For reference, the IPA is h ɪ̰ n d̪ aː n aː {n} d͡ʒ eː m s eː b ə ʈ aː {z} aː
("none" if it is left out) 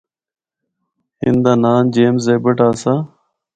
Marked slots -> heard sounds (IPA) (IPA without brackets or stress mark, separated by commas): n, s